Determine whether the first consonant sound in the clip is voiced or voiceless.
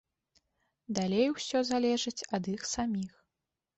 voiced